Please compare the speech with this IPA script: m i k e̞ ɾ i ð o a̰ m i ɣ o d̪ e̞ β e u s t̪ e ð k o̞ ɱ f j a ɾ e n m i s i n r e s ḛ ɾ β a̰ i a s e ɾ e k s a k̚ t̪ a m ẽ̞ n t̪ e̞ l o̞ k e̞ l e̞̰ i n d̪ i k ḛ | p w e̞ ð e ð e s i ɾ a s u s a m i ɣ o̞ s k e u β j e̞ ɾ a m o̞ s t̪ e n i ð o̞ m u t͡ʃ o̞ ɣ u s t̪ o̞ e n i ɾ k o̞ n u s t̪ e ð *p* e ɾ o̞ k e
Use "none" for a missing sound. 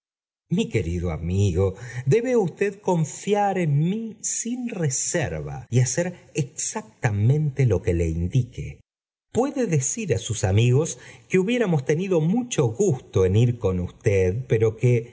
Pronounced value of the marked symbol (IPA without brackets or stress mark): p